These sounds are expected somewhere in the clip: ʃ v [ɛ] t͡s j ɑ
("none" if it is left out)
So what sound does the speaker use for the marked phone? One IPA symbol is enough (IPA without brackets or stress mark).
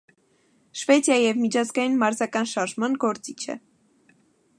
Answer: ɛ